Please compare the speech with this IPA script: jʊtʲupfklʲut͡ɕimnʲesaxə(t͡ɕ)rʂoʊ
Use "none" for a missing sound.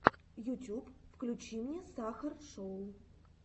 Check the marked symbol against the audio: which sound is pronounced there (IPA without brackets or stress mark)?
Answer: none